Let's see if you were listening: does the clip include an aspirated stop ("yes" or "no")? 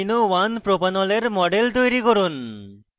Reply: no